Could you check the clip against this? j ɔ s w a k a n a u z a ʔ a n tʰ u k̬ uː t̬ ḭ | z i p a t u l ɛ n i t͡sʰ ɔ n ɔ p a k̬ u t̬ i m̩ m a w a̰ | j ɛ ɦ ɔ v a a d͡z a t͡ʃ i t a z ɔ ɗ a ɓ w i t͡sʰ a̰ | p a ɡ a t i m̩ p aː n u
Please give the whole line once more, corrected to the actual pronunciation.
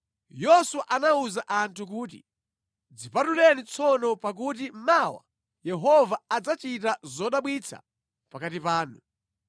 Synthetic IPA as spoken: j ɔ s w a ʔ a n a u z a ʔ a n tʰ u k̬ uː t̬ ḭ | d͡z i p a t u l ɛ n i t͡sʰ ɔ n ɔ p a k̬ u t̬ i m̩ m a w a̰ | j ɛ ɦ ɔ v a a d͡z a t͡ʃ i t a z ɔ ɗ a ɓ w i t͡sʰ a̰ | p a k a t i p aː n u